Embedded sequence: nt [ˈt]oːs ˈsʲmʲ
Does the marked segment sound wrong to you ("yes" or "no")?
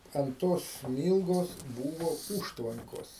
no